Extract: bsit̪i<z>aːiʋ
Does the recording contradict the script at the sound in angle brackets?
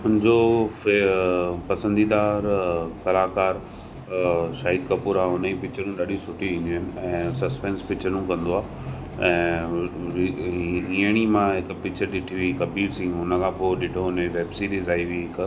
no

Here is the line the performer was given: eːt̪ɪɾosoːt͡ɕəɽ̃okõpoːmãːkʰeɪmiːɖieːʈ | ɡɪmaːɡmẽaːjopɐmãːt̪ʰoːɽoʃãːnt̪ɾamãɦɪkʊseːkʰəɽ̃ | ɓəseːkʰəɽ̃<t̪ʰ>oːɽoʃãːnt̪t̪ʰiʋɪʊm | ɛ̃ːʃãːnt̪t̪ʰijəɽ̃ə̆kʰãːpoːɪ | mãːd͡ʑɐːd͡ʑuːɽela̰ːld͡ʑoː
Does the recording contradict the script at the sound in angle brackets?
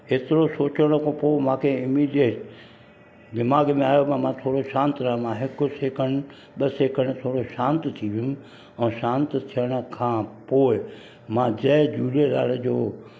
no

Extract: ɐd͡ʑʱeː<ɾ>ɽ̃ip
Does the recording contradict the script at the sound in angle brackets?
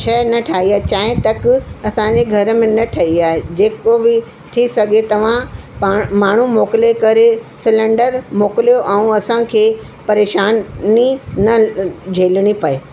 yes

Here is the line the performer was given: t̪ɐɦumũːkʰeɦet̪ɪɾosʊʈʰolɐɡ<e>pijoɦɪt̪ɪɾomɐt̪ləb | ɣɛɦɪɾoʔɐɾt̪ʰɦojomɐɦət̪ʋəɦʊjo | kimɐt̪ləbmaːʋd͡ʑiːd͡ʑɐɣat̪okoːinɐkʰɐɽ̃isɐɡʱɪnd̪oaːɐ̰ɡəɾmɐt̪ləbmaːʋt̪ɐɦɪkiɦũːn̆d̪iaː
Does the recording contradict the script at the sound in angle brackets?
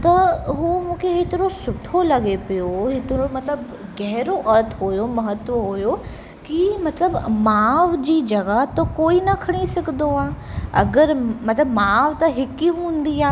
no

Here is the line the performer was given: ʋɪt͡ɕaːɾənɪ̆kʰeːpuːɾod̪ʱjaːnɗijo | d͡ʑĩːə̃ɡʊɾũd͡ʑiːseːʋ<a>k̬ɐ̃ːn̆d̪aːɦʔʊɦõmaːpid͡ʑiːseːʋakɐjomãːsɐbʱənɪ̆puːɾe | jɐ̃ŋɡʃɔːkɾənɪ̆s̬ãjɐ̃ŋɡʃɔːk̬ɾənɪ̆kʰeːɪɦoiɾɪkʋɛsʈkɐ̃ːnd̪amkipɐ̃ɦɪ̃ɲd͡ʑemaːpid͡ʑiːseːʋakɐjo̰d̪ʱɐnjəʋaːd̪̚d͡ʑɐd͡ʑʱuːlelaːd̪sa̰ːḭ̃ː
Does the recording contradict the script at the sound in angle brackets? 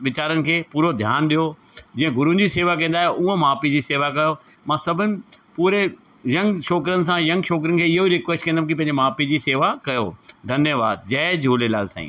no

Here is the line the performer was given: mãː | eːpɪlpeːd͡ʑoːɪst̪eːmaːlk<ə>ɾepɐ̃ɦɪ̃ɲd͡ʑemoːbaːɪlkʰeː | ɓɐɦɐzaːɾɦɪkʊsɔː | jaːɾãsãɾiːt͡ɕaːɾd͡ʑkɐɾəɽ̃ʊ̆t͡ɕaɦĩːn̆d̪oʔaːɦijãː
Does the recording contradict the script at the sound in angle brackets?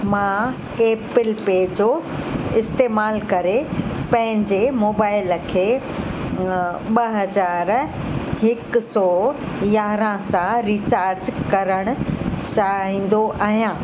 yes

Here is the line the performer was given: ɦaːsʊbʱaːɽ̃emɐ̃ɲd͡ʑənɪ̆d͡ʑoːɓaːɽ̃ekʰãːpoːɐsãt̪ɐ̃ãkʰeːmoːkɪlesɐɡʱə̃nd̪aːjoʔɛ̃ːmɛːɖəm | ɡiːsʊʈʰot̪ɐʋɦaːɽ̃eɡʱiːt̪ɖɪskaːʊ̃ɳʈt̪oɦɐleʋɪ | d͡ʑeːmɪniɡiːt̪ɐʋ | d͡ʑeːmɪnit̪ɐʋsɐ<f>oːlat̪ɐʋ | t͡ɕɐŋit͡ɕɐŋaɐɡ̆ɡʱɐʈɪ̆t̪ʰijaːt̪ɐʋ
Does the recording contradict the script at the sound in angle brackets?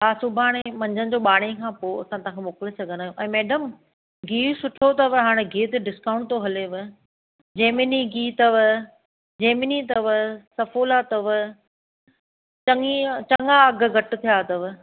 no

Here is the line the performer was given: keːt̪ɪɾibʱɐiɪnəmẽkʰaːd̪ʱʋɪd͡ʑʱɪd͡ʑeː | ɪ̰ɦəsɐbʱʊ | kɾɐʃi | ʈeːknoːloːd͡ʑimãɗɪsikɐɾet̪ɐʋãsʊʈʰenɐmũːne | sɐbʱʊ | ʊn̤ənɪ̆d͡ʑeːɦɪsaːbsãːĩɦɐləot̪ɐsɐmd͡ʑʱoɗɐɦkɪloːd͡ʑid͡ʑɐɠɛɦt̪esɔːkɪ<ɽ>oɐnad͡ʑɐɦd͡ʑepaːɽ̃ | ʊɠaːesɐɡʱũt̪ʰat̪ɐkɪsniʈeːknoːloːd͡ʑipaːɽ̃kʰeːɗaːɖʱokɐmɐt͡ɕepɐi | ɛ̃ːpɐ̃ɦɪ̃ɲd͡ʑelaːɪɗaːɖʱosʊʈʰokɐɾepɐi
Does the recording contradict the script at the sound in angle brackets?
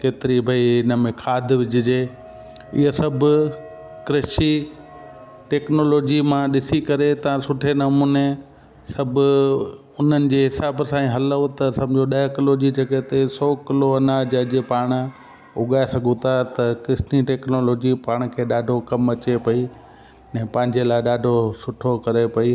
yes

